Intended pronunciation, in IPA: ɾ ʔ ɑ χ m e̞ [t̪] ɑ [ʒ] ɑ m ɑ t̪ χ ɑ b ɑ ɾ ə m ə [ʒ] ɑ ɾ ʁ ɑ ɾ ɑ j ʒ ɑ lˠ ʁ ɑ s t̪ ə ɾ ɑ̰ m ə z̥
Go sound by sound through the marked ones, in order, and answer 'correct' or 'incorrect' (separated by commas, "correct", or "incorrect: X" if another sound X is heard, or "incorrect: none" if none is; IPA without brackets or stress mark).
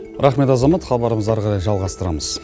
correct, incorrect: z, incorrect: z